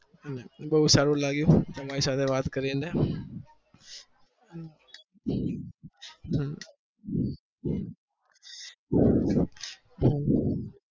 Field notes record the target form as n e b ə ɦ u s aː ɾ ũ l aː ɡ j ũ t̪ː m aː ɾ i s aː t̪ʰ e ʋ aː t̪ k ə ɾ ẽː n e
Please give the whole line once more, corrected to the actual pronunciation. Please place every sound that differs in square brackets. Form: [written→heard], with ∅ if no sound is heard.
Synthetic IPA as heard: n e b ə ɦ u s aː ɾ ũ l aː ɡ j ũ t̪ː m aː ɾ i s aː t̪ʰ e ʋ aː t̪ k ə ɾ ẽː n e